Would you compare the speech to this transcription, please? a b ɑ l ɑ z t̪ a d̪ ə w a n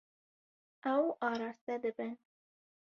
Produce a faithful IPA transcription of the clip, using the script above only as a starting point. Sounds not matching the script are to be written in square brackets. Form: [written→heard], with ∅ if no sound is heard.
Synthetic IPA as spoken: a [b→w] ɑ [l→ɾ] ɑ [z→s] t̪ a d̪ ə [w→b] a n